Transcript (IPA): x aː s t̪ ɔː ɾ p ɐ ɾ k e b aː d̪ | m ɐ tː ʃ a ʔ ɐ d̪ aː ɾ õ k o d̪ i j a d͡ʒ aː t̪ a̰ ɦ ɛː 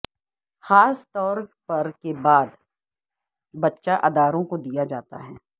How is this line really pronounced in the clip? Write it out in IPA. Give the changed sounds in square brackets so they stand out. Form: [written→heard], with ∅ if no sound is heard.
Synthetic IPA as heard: x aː s t̪ ɔː ɾ p ɐ ɾ k e b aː d̪ | [m→b] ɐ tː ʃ a ʔ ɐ d̪ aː ɾ õ k o d̪ i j a d͡ʒ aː t̪ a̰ ɦ ɛː